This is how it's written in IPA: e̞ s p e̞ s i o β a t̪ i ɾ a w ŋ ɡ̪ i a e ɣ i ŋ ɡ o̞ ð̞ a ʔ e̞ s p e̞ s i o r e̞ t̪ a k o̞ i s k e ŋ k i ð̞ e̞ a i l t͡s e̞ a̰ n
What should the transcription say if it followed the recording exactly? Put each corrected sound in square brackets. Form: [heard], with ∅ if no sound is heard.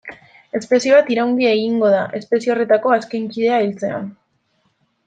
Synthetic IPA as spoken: e̞ s p e̞ s i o β a t̪ i ɾ a w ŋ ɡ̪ i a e ɣ i ŋ ɡ o̞ ð̞ a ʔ e̞ s p e̞ s i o r e̞ t̪ a k o̞ [a] s k e ŋ k i ð̞ e̞ a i l t͡s e̞ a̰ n

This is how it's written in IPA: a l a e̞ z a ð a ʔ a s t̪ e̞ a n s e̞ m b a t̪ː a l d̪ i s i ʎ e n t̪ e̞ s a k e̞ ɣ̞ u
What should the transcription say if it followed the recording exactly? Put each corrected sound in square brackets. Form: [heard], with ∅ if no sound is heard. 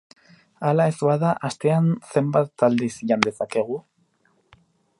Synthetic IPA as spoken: a l a e̞ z a ð a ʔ a s t̪ e̞ a n s e̞ m b a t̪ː a l d̪ i s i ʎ [a] n [d̪] e̞ s a k e̞ ɣ̞ u

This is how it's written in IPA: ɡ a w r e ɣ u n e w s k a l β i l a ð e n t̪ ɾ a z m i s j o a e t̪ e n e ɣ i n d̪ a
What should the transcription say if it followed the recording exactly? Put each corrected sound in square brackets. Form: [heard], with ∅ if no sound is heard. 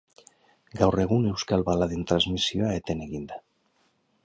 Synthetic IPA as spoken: ɡ a w r e ɣ u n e w s k a l β [a] l a ð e n t̪ ɾ a z m i s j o a e t̪ e n e ɣ i n d̪ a

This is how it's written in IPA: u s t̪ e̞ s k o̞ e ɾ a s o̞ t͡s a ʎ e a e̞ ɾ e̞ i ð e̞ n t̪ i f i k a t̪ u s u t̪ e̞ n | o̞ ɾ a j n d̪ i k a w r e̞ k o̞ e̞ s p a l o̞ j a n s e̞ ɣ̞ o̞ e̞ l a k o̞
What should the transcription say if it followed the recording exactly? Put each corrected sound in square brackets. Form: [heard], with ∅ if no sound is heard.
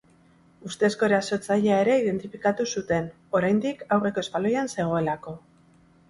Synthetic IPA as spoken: u s t̪ e̞ s k o̞ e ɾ a s o̞ t͡s a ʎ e a e̞ ɾ e̞ i ð e̞ n t̪ i f i k a t̪ u s u t̪ e̞ n | o̞ ɾ a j n d̪ i k a w r e̞ k o̞ e̞ s p a l o̞ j a n s e̞ ɣ̞ o̞ e̞ l a k o̞

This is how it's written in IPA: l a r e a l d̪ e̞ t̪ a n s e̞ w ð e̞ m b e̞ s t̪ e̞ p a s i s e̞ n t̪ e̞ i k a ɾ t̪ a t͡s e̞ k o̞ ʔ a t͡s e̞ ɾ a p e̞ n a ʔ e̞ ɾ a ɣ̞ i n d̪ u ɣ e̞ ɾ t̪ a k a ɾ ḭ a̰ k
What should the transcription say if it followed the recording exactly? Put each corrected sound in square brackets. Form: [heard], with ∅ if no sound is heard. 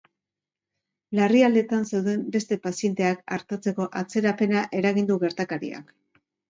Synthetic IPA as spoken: l a r [i] a l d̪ e̞ t̪ a n s e̞ w ð e̞ m b e̞ s t̪ e̞ p a s i [∅] e̞ n t̪ e̞ [a] k a ɾ t̪ a t͡s e̞ k o̞ ʔ a t͡s e̞ ɾ a p e̞ n a ʔ e̞ ɾ a ɣ̞ i n d̪ u ɣ e̞ ɾ t̪ a k a ɾ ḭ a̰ k

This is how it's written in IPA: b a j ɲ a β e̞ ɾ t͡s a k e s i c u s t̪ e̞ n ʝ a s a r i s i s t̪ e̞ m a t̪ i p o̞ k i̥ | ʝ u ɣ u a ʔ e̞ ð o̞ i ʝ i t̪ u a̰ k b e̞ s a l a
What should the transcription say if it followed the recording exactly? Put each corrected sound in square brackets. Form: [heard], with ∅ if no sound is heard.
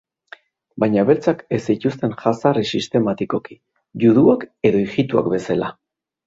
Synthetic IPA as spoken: b a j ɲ a β e̞ ɾ t͡s a k e s i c u s t̪ e̞ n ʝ a s a r i s i s t̪ e̞ m a t̪ i [k] o̞ k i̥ | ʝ u [ð] u a [k] e̞ ð o̞ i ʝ i t̪ u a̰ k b e̞ s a l a

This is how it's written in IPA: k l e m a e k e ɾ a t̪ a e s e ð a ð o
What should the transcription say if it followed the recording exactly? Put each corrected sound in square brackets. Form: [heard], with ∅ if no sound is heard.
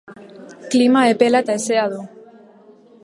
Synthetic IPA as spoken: k l [i] m a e [p] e [l] a t̪ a e s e [∅] a ð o

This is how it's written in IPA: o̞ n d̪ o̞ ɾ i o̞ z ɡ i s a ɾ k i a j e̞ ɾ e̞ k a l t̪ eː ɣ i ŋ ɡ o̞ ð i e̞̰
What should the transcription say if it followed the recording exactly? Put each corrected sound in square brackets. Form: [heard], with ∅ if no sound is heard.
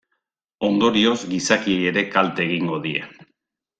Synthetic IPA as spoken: o̞ n d̪ o̞ ɾ i o̞ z ɡ i s a [∅] k i [e] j e̞ ɾ e̞ k a l t̪ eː ɣ i ŋ ɡ o̞ ð i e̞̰

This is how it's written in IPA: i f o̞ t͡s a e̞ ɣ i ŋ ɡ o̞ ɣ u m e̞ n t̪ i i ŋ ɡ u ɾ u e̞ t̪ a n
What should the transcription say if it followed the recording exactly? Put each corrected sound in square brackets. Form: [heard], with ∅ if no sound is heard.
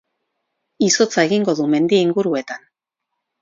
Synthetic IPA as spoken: i [s] o̞ t͡s a e̞ ɣ i ŋ ɡ o̞ [ð] u m e̞ n [d̪] i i ŋ ɡ u ɾ u e̞ t̪ a n

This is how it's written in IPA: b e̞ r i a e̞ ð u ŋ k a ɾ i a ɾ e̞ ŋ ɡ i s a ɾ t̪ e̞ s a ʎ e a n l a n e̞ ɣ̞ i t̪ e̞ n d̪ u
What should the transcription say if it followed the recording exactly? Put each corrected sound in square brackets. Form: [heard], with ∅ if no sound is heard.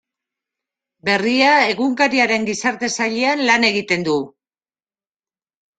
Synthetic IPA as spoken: b e̞ r i a e̞ [ɣ] u ŋ k a ɾ i a ɾ e̞ ŋ ɡ i s a ɾ t̪ e̞ s a ʎ e a n l a n e̞ ɣ̞ i t̪ e̞ n d̪ u

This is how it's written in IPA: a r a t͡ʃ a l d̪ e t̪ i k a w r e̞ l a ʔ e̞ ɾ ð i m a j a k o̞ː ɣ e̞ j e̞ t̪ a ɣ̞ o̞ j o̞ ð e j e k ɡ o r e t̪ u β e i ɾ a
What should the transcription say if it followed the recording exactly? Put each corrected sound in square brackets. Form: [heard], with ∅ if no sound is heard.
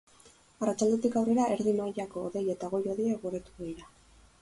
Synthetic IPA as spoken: a r a t͡ʃ a l d̪ e t̪ i k a w r e̞ [ɾ] a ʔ e̞ ɾ ð i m a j a k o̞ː [ð] e̞ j e̞ t̪ a ɣ̞ o̞ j o̞ ð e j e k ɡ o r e t̪ u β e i ɾ a

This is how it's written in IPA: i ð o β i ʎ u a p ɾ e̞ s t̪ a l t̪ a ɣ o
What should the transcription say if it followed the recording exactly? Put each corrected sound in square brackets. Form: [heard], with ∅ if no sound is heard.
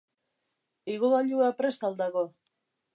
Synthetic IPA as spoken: i [ɣ] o β [a] ʎ u a p ɾ e̞ s t̪ a l [d̪] a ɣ o

